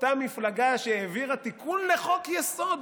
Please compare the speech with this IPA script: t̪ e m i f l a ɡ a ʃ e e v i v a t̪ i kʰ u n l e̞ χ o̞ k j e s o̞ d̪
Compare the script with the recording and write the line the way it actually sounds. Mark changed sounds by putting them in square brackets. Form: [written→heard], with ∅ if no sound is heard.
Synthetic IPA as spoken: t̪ [e→a] m i f l a ɡ a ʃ e e v i [v→ʁ] a t̪ i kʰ u n l e̞ χ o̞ k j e s o̞ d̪